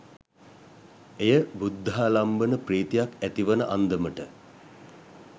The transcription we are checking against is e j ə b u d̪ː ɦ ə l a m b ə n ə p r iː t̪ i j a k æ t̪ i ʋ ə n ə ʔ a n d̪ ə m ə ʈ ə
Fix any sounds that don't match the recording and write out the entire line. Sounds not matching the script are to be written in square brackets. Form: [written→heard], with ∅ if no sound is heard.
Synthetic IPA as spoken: e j ə b u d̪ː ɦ [ə→a] l a m b ə n ə p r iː t̪ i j a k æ t̪ i ʋ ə n ə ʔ a n d̪ ə m ə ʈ ə